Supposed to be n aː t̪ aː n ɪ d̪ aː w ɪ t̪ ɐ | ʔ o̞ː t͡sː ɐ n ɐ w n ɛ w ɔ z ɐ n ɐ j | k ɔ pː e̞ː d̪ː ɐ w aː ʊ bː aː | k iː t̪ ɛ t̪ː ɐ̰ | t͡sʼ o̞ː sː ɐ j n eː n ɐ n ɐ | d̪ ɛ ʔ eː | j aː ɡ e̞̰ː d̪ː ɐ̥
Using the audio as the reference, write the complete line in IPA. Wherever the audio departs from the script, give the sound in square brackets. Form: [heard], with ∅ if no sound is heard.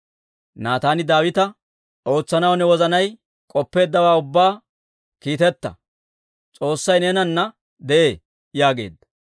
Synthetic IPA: n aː t̪ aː n ɪ d̪ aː w ɪ t̪ ɐ | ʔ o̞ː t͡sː ɐ n ɐ w n ɛ w ɔ z ɐ n ɐ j | [kʼ] ɔ pː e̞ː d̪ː ɐ w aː ʊ bː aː | k iː t̪ ɛ t̪ː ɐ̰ | t͡sʼ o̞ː sː ɐ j n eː n ɐ [nː] ɐ | d̪ ɛ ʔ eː | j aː ɡ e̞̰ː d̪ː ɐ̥